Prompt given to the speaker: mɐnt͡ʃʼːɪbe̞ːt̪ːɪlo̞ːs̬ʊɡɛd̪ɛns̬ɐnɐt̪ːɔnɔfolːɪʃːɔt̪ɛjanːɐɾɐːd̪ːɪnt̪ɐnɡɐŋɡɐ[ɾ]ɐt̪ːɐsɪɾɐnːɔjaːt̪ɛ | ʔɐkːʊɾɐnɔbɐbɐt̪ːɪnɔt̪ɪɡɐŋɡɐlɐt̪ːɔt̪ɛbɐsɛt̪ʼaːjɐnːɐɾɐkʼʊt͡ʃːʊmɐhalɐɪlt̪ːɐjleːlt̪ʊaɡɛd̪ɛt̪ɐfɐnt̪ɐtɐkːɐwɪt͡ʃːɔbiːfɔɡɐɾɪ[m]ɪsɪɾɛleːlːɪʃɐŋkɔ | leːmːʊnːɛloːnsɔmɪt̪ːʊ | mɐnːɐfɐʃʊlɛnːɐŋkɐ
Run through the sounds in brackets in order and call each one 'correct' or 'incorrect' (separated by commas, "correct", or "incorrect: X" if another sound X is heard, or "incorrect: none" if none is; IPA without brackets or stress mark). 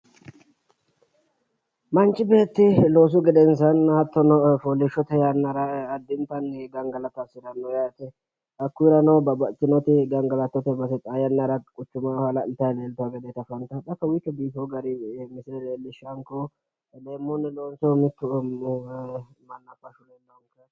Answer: incorrect: l, correct